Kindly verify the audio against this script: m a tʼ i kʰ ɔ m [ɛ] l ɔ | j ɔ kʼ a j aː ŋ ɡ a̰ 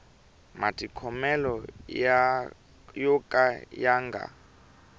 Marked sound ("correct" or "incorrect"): correct